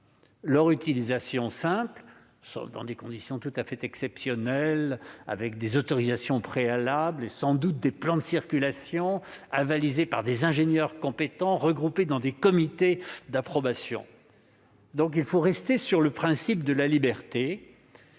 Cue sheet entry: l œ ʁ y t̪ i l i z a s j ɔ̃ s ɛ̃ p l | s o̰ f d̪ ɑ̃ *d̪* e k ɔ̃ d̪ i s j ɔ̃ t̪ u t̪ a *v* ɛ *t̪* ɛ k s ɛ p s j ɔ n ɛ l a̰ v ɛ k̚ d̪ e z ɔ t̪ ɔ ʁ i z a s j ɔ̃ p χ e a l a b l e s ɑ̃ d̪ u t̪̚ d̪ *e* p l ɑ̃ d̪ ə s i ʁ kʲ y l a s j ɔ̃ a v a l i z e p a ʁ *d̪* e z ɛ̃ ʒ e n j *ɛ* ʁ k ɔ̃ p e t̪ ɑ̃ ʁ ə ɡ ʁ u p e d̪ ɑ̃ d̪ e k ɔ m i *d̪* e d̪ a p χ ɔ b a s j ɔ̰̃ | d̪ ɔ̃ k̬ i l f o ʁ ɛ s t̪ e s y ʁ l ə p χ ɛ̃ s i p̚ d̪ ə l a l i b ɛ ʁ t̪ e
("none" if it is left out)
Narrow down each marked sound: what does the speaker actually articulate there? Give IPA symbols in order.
d̪, f, t̪, e, d̪, œ, t̪

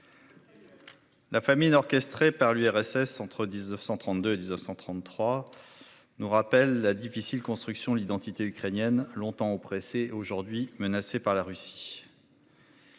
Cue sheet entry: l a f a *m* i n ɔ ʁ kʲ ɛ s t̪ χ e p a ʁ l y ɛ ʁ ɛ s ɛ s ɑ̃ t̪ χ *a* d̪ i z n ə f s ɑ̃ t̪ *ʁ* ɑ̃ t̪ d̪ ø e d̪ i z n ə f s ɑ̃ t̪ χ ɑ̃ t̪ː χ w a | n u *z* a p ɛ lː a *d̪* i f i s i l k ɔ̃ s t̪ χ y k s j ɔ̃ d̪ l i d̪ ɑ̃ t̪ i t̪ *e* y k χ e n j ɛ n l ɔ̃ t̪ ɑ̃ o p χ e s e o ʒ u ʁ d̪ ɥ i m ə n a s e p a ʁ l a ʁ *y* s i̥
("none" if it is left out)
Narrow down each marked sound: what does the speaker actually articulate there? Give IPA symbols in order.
m, ə, χ, ʁ, d̪, e, y

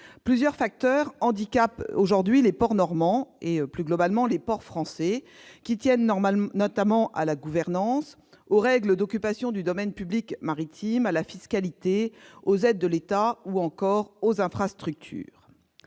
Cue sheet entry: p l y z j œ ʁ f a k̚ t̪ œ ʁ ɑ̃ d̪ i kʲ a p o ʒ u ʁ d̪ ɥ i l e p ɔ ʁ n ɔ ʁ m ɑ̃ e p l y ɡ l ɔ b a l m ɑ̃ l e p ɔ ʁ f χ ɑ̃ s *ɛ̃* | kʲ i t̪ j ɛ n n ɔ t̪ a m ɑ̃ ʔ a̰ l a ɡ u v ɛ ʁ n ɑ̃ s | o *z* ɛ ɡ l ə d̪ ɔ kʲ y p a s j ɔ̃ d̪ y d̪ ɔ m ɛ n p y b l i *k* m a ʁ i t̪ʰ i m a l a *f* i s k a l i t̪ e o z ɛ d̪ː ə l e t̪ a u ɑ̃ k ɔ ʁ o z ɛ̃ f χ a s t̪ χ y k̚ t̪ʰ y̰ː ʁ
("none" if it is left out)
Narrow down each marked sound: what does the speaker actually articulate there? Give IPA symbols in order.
ɛ, ʁ, k, f

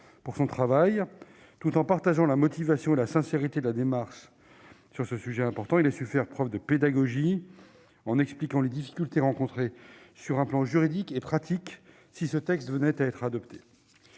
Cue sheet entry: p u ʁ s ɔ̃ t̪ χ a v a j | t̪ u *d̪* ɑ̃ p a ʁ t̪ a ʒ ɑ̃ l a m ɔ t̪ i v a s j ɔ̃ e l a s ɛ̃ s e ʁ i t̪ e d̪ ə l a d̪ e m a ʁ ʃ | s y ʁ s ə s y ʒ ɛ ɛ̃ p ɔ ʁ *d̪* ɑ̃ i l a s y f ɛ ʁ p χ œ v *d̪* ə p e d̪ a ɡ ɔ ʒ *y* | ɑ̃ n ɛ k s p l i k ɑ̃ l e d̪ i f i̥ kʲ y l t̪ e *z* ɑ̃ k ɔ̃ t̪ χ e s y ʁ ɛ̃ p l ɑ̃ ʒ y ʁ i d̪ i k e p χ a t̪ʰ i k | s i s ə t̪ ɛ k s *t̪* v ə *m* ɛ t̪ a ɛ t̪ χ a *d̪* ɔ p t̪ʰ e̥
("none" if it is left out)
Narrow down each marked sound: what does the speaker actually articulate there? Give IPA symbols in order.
t̪, t̪, d̪, i, ʁ, t̪, n, d̪

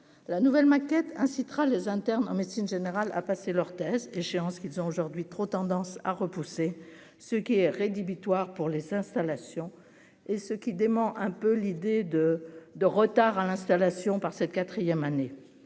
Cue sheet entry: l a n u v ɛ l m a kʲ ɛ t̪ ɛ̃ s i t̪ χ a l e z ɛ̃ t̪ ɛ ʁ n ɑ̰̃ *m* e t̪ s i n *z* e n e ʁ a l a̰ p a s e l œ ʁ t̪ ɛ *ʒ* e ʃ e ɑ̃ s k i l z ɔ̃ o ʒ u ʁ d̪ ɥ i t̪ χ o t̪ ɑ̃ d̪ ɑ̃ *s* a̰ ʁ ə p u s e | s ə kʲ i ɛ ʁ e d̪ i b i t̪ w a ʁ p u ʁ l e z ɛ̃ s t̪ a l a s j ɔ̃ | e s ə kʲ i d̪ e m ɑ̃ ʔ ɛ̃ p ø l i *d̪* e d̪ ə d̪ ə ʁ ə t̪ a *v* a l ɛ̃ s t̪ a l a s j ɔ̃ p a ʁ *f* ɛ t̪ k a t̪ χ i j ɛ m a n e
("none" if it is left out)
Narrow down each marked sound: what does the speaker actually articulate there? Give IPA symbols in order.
m, ʒ, z, s, d̪, ʁ, s

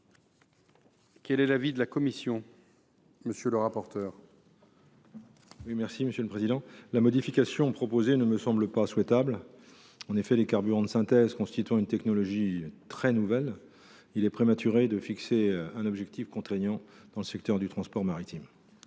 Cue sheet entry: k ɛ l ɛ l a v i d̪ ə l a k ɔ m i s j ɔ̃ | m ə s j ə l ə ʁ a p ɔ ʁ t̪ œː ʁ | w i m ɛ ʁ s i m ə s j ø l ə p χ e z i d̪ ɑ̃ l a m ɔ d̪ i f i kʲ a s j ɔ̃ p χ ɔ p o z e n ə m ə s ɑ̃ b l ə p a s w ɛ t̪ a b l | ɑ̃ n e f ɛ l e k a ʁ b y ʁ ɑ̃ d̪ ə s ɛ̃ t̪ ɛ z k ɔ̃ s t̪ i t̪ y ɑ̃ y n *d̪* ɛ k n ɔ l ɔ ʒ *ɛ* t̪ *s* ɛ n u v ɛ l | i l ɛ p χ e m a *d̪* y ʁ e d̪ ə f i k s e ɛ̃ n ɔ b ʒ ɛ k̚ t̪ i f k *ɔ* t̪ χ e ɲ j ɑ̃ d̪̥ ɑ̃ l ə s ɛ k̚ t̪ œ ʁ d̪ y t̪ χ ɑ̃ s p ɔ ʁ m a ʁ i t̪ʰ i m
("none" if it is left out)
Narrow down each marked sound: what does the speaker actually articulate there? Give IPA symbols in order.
t̪, i, χ, t̪, ɔ̃

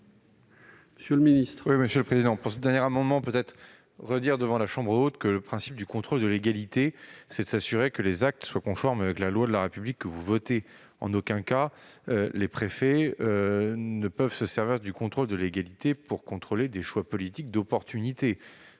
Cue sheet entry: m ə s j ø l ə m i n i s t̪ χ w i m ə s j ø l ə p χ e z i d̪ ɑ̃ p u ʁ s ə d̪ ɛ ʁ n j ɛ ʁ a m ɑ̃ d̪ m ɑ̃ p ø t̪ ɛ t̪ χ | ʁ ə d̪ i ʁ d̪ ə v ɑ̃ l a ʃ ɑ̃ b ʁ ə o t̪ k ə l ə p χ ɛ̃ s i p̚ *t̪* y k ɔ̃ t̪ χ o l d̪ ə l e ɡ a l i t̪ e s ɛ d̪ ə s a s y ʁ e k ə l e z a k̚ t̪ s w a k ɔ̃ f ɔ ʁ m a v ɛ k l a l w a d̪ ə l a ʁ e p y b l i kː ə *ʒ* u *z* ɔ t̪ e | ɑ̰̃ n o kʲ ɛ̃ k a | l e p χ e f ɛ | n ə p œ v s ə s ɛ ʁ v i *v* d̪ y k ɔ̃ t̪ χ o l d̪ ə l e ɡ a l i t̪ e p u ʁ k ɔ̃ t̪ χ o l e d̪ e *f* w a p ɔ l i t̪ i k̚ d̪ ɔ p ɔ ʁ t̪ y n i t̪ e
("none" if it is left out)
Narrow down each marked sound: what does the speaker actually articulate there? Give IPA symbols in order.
d̪, v, v, ʁ, ʃ

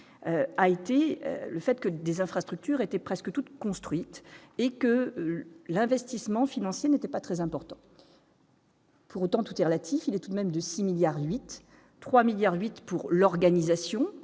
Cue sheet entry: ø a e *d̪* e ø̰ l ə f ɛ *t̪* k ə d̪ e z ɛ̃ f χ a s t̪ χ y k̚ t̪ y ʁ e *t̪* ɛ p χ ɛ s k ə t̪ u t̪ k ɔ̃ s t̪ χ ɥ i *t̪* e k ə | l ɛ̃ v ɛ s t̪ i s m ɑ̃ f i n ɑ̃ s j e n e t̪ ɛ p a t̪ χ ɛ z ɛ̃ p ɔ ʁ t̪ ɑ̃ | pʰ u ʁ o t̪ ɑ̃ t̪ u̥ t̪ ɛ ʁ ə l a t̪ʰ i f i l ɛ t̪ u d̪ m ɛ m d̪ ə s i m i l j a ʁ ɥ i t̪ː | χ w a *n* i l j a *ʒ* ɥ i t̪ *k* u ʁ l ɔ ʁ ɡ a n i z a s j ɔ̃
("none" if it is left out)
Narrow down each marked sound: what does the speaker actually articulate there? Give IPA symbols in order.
t̪, t̪, t̪, t̪, m, ʁ, p

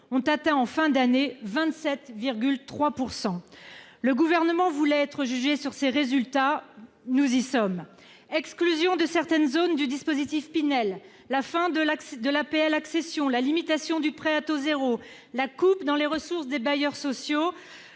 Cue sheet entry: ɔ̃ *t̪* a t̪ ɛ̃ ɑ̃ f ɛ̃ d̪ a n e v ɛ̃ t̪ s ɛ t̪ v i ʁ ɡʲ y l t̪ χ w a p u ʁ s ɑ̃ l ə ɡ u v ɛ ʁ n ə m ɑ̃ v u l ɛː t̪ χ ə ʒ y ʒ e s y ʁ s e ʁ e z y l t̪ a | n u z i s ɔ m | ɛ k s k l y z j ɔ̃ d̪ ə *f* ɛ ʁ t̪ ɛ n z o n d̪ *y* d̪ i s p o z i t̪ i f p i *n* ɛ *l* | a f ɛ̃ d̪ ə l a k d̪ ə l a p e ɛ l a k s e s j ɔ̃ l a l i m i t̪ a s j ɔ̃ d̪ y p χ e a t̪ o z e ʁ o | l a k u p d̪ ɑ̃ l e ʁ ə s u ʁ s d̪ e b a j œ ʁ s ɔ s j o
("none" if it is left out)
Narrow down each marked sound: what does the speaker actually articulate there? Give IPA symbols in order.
t̪, s, y, n, lː

